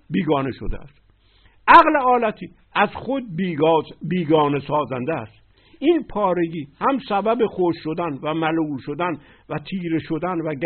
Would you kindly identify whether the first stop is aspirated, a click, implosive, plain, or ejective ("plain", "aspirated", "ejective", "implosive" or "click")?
plain